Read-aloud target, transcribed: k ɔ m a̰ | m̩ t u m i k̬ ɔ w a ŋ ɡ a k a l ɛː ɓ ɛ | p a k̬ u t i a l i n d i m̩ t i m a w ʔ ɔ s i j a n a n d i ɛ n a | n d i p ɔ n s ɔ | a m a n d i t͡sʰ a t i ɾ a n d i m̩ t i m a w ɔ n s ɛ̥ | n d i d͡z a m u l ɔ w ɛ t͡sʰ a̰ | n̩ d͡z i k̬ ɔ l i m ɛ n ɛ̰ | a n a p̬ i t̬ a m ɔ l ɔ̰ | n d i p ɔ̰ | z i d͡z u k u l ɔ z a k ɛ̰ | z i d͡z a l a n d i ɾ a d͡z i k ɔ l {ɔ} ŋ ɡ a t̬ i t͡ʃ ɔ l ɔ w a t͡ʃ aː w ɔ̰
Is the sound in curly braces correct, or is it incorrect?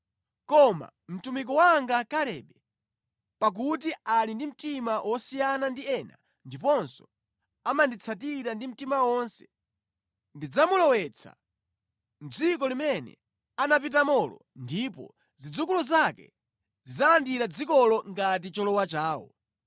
correct